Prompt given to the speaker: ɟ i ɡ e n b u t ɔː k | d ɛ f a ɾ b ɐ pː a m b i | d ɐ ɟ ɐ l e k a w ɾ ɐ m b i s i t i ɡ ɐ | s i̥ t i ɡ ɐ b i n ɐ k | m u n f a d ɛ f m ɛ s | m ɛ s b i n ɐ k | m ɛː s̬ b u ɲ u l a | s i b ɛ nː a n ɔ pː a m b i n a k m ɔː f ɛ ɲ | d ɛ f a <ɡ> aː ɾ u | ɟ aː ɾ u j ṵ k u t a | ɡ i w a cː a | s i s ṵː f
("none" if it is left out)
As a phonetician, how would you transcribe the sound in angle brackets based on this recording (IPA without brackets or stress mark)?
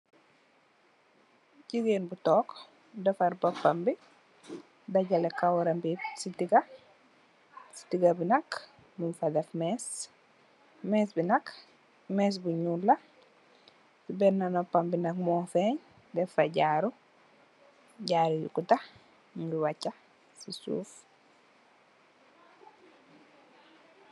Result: ɟ